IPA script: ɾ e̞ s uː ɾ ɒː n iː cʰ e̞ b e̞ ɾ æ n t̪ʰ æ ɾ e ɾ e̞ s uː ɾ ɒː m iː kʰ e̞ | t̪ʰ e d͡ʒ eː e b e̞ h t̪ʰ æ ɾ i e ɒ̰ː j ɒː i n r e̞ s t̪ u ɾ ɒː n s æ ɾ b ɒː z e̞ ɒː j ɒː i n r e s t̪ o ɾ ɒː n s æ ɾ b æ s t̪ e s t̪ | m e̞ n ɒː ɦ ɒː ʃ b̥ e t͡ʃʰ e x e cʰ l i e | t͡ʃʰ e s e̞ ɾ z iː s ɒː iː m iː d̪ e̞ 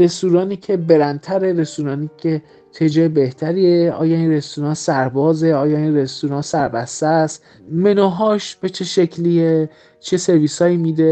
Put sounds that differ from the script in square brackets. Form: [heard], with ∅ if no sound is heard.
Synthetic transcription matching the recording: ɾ e̞ s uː ɾ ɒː n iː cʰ e̞ b e̞ ɾ æ n t̪ʰ æ ɾ e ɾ e̞ s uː ɾ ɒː [n] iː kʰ e̞ | t̪ʰ e d͡ʒ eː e b e̞ h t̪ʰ æ ɾ i e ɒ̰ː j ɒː i n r e̞ s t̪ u ɾ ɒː n s æ ɾ b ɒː z e̞ ɒː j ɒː i n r e s t̪ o ɾ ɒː n s æ ɾ b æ s t̪ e s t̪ | m e̞ n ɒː ɦ ɒː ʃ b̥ e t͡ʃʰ e [ʃ] e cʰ l i e | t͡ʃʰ e s e̞ ɾ [v] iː s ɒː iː m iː d̪ e̞